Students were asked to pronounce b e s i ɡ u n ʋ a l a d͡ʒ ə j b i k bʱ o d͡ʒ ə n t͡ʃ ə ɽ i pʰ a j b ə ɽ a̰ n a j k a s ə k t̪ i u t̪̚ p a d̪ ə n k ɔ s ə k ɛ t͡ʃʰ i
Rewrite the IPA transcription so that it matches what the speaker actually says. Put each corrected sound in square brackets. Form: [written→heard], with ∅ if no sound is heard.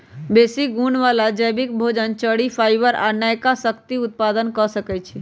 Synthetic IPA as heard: b e s i ɡ u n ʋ a l a d͡ʒ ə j b i k bʱ o d͡ʒ ə n t͡ʃ ə ɽ i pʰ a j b ə [ɽ→ɾ] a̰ n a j k a s ə k t̪ i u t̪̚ p a d̪ ə n k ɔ s ə k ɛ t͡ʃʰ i